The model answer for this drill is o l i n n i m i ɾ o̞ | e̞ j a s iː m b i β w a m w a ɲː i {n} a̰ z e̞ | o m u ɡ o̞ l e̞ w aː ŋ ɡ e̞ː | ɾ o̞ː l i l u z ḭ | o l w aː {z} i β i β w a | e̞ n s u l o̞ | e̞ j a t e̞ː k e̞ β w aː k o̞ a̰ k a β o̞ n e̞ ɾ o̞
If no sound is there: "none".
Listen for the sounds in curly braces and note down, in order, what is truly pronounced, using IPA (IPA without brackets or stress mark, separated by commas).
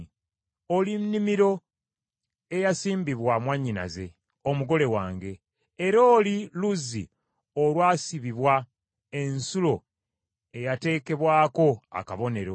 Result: n, s